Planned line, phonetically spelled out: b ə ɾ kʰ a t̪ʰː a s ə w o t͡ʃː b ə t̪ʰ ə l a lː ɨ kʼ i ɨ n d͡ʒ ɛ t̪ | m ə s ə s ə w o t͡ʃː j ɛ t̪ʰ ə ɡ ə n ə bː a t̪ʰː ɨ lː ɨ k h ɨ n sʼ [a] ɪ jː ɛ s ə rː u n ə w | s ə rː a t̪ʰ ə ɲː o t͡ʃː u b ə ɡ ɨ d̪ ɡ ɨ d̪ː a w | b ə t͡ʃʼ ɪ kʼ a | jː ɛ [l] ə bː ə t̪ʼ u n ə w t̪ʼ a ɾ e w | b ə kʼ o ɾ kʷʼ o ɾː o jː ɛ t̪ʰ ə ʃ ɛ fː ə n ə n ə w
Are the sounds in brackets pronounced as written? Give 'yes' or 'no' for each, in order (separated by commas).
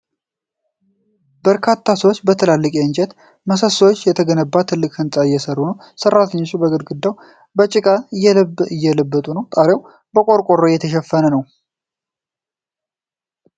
yes, yes